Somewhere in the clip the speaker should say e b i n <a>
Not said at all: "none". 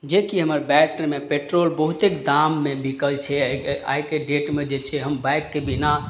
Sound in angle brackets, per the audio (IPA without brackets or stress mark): a